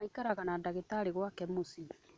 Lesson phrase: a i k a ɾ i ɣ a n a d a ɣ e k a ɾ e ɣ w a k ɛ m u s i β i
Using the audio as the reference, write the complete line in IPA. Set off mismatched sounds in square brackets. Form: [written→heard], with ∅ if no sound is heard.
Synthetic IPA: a i k a ɾ [i→a] ɣ a n a d a ɣ e [k→t] a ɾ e ɣ w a k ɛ m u s i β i